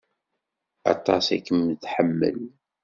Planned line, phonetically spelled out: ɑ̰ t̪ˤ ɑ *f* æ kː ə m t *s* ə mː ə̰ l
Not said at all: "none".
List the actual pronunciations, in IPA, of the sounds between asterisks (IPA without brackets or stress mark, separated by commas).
s, ħ